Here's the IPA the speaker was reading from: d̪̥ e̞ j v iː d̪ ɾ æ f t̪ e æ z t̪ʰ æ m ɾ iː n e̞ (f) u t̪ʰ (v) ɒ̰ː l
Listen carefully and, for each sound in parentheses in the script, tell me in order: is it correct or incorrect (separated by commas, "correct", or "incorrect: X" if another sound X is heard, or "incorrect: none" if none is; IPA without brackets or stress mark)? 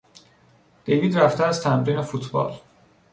correct, incorrect: b